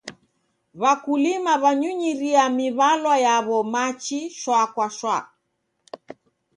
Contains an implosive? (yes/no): no